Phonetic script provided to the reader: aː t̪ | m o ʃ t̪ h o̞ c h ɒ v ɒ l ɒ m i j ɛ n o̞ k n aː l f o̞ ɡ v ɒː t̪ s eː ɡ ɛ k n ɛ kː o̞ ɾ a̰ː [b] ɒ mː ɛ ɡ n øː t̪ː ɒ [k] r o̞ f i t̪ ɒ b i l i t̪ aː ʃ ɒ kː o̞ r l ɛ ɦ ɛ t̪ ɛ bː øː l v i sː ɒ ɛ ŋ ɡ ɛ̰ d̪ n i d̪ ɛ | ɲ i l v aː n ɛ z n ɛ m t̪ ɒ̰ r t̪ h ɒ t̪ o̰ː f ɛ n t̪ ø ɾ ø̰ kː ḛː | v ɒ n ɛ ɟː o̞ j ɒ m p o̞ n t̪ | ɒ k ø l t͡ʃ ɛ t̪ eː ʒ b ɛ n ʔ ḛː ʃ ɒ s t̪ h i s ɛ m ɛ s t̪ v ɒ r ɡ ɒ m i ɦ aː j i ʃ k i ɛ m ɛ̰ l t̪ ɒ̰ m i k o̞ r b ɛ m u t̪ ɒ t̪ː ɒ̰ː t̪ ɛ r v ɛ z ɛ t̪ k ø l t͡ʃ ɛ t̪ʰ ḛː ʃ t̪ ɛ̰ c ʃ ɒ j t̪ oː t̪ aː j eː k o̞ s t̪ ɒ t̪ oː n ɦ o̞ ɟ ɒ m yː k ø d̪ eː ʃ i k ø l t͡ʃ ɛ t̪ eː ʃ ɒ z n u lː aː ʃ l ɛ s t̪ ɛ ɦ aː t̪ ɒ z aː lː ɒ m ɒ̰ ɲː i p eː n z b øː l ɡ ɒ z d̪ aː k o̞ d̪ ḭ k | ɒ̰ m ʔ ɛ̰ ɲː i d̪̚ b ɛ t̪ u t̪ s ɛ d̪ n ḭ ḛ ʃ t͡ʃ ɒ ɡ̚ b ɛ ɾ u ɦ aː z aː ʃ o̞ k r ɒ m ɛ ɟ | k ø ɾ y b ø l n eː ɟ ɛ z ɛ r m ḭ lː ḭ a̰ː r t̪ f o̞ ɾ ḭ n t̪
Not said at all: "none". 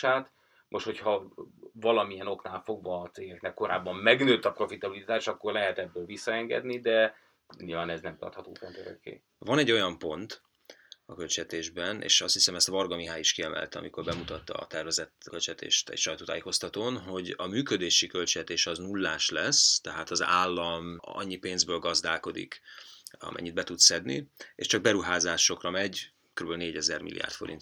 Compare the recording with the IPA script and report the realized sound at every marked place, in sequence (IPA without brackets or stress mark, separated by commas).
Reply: bː, p